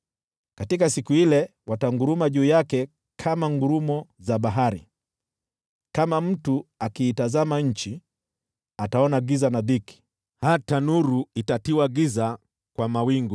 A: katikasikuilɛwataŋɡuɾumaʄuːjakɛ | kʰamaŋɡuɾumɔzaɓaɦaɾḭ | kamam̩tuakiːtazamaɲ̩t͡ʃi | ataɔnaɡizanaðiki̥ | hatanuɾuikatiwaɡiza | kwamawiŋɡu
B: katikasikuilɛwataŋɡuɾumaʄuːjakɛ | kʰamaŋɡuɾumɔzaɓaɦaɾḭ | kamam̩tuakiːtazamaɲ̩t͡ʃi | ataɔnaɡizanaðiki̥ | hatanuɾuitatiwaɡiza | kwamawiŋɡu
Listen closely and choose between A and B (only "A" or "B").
B